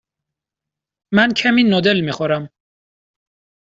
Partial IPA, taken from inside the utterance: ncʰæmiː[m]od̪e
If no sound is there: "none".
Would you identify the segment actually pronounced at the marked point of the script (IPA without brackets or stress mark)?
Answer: n